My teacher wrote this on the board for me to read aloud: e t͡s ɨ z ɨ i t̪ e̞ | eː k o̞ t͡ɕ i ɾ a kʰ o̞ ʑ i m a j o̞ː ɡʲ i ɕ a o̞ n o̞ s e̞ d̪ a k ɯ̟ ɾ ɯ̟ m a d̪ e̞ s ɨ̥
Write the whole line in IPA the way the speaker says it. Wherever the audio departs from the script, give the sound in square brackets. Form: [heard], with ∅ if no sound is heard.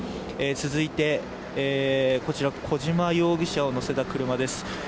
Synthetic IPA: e t͡s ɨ z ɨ i t̪ e̞ | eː k o̞ t͡ɕ i ɾ a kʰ o̞ ʑ i m a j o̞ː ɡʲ i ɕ a o̞ n o̞ s e̞ [t̪] a k ɯ̟ ɾ ɯ̟ m a d̪ e̞ s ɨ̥